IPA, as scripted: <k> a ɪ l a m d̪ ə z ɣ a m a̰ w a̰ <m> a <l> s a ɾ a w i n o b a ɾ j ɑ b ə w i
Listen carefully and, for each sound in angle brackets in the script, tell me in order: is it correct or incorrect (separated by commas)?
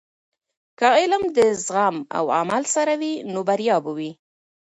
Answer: correct, correct, correct